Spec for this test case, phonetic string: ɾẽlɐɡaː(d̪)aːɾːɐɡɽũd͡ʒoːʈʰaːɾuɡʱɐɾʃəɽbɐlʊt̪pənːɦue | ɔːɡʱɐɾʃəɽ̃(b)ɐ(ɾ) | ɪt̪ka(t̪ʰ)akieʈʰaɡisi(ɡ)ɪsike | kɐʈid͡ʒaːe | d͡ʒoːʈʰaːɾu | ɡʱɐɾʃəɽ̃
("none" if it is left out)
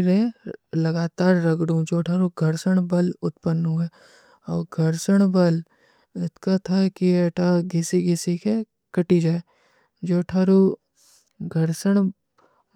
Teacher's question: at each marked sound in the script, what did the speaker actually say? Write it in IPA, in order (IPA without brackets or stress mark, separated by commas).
t̪, b, l, t̪ʰ, ɡ